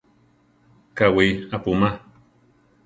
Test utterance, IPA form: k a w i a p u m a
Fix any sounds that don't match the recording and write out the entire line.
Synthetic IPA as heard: k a w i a p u m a